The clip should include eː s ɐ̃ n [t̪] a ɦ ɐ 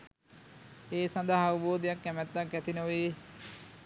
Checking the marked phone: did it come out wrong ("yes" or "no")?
yes